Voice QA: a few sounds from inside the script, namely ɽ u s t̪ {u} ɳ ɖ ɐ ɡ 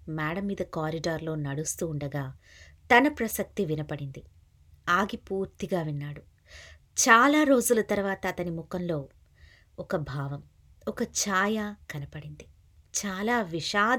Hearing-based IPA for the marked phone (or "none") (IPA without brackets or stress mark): uː